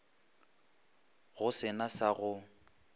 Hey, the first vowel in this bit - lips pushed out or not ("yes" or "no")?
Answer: yes